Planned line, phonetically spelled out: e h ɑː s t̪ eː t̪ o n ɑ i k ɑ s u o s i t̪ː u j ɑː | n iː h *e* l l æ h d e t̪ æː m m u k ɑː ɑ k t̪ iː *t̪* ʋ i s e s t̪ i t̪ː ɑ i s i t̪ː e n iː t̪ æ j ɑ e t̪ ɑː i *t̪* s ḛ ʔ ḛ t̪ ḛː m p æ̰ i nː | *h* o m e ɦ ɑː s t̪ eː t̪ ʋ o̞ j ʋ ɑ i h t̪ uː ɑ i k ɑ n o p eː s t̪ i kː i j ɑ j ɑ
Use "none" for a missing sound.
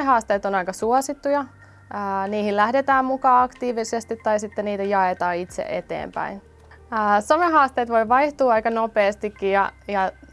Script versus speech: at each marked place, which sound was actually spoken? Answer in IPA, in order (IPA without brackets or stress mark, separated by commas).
i, none, t̪, s